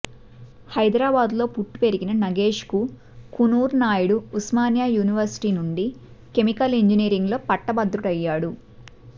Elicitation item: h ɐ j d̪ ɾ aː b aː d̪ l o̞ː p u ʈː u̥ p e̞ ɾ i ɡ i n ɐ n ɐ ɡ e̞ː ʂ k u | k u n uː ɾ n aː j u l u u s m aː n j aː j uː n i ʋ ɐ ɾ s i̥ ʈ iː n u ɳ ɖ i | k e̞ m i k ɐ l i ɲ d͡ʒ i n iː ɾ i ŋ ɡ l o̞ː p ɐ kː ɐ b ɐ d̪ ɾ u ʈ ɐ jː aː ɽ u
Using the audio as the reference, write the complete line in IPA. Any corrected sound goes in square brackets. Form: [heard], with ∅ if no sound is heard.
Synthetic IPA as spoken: h ɐ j d̪ ɾ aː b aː d̪ l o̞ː p u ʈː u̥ p e̞ ɾ i ɡ i n ɐ n ɐ ɡ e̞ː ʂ k u | k u n uː ɾ n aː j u [ɽ] u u s m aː n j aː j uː n i ʋ ɐ ɾ s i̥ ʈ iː n u ɳ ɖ i | k e̞ m i k ɐ l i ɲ d͡ʒ i n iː ɾ i ŋ ɡ l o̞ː p ɐ [ʈː] ɐ b ɐ d̪ ɾ u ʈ ɐ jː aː ɽ u